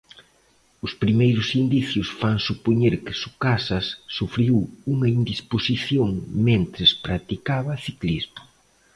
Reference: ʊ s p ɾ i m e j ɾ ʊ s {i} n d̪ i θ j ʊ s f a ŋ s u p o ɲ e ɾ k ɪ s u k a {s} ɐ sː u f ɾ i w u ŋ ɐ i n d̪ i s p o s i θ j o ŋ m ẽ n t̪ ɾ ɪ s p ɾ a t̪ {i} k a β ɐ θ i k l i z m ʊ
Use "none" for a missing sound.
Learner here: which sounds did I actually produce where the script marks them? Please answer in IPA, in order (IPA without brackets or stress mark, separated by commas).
i, s, i